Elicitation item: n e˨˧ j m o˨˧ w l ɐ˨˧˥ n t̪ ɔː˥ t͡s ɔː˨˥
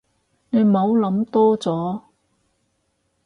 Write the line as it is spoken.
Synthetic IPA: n e˨˧ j m o˨˧ w l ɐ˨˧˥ m t̪ ɔː˥ t͡s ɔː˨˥